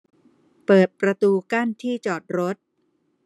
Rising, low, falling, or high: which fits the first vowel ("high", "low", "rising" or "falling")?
low